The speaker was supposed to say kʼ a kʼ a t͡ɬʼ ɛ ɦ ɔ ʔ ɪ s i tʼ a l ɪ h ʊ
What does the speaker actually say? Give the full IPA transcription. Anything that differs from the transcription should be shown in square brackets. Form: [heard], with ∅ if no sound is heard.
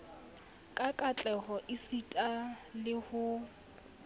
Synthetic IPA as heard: kʼ a kʼ a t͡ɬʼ ɛ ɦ ɔ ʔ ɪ s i tʼ a l ɪ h ʊ